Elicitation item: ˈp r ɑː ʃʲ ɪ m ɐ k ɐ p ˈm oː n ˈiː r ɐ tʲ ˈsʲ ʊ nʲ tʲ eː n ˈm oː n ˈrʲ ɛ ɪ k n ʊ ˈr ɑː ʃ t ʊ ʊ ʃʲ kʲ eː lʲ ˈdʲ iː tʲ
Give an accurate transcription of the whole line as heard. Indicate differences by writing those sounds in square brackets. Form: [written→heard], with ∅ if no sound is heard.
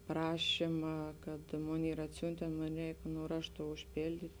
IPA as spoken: ˈp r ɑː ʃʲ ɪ m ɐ k ɐ [p→t] ˈm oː n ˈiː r ɐ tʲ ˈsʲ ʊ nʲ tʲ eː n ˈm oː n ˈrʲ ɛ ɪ k n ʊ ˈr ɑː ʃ t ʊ ʊ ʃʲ [kʲ→pʲ] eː lʲ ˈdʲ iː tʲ